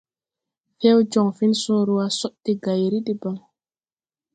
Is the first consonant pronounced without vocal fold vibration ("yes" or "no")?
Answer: yes